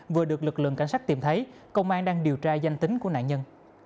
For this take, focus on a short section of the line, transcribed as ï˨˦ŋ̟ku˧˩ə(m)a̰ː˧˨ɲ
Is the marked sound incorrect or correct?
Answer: incorrect: n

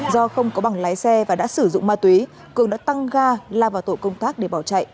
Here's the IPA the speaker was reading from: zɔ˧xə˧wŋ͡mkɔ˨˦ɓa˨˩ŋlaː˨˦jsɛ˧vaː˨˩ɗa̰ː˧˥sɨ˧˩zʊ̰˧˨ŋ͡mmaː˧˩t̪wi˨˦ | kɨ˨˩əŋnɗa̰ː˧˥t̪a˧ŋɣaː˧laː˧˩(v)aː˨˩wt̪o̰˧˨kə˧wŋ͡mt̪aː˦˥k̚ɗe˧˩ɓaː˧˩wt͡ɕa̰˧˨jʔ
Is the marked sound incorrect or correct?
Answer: correct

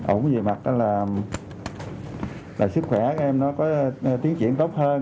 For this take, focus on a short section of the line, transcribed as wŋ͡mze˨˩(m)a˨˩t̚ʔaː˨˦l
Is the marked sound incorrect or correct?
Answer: correct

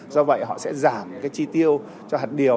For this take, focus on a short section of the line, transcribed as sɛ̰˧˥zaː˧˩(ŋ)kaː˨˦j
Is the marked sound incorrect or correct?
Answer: incorrect: m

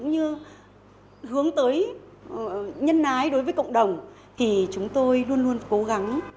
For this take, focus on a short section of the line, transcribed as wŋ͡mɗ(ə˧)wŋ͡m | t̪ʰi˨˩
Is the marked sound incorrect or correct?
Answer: incorrect: ə˨˩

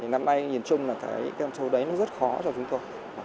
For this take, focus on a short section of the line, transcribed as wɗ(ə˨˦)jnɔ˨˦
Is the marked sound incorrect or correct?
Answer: correct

